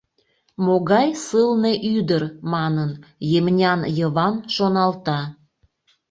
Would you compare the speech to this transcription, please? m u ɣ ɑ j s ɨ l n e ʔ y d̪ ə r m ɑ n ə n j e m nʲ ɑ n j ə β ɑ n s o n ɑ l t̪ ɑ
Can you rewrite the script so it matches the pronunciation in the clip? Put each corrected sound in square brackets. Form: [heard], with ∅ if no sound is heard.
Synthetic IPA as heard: m [o] ɣ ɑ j s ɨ l n e ʔ y d̪ ə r m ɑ n ə n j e m nʲ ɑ n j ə β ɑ n [ʃ] o n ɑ l t̪ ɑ